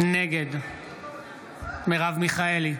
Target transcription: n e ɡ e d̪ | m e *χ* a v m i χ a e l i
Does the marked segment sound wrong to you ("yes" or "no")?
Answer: yes